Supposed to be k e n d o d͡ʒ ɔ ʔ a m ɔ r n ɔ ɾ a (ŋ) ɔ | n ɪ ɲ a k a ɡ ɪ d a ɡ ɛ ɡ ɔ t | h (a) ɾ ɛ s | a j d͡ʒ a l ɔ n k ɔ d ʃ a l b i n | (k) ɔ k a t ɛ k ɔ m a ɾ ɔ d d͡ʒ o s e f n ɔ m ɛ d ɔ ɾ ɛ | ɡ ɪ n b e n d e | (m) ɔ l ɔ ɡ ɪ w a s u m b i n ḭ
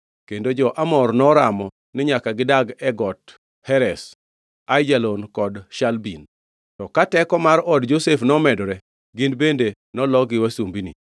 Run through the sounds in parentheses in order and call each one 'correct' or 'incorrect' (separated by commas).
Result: incorrect, incorrect, incorrect, incorrect